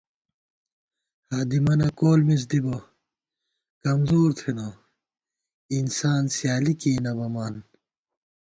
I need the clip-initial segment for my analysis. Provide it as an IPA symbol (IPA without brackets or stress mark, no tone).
h